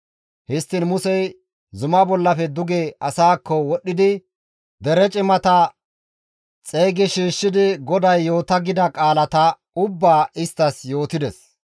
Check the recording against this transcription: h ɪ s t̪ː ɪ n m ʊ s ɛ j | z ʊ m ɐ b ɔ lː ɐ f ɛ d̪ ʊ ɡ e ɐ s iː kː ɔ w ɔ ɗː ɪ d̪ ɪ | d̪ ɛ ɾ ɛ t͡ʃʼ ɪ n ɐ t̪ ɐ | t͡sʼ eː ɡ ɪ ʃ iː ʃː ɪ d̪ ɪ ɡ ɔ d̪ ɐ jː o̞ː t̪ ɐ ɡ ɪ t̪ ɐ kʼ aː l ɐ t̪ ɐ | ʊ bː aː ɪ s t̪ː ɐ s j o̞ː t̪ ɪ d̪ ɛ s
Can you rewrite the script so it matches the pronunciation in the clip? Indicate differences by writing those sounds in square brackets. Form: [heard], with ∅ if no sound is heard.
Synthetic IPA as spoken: h ɪ s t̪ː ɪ n m ʊ s ɛ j | z ʊ m ɐ b ɔ lː ɐ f ɛ d̪ ʊ ɡ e ɐ s [aː] kː ɔ w ɔ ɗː ɪ d̪ ɪ | d̪ ɛ ɾ ɛ t͡ʃʼ ɪ [m] ɐ t̪ ɐ | t͡sʼ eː ɡ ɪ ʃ iː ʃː ɪ d̪ ɪ ɡ ɔ d̪ ɐ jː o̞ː t̪ ɐ ɡ ɪ [d̪] ɐ kʼ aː l ɐ t̪ ɐ | ʊ bː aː ɪ s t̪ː ɐ s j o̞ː t̪ ɪ d̪ ɛ s

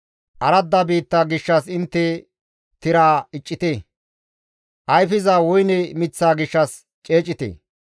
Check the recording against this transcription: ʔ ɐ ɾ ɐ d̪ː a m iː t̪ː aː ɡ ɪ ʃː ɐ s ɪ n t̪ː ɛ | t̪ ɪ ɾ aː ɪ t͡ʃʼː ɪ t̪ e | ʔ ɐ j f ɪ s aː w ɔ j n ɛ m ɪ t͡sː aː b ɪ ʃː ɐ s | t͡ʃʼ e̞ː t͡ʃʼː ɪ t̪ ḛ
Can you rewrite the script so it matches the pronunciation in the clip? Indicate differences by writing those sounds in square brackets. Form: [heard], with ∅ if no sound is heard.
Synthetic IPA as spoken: ʔ ɐ ɾ ɐ d̪ː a [b] iː t̪ː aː ɡ ɪ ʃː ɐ s ɪ n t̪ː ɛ | t̪ ɪ ɾ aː ɪ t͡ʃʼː ɪ t̪ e | ʔ ɐ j f ɪ [z] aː w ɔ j n ɛ m ɪ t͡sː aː [ɡ] ɪ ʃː ɐ s | t͡ʃʼ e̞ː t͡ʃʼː ɪ t̪ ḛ

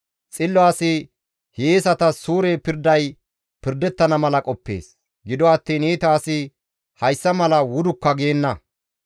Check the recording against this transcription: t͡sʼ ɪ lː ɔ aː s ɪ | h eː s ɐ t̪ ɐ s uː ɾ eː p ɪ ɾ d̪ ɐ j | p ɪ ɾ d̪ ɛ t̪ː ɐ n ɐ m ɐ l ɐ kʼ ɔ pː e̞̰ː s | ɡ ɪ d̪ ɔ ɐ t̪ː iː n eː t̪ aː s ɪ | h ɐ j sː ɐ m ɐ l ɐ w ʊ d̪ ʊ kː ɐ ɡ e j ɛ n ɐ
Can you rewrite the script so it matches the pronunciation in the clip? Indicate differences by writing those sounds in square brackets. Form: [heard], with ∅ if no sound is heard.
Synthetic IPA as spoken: t͡sʼ ɪ lː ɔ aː s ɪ | h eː s ɐ t̪ ɐ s uː ɾ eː p ɪ ɾ d̪ ɐ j | p ɪ ɾ d̪ ɛ t̪ː ɐ n ɐ m ɐ l ɐ kʼ ɔ pː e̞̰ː s | ɡ ɪ d̪ ɔ ɐ t̪ː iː n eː t̪ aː s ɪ | h ɐ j sː ɐ m ɐ l ɐ w ʊ d̪ ʊ kː ɐ ɡ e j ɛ [nː] ɐ

